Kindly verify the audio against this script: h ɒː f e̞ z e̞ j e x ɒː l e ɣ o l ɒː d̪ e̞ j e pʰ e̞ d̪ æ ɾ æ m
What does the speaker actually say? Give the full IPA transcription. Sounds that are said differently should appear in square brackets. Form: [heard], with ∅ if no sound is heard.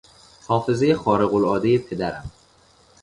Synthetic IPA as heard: h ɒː f e̞ z e̞ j e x ɒː [ɾ] e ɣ o l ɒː d̪ e̞ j e pʰ e̞ d̪ æ ɾ æ m